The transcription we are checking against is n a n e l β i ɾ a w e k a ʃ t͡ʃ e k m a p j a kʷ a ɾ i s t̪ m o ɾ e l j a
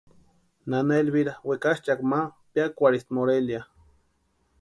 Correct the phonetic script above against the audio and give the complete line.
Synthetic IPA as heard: n a n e l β i ɾ a w e k a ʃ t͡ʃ a k m a p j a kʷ a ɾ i s t̪ m o ɾ e l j a